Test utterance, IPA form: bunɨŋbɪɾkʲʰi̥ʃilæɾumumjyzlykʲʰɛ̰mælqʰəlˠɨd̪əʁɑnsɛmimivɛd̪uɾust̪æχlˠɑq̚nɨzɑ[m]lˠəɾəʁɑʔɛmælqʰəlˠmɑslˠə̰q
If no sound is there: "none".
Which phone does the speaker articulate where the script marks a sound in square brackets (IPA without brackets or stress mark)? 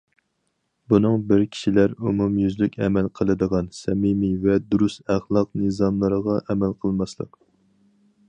m